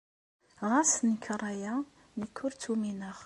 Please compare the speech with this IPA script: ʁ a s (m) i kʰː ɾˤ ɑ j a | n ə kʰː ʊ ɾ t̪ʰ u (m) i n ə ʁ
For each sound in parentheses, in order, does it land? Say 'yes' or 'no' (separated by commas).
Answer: no, yes